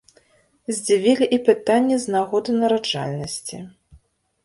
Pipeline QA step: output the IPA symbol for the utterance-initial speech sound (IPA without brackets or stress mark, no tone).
zʲ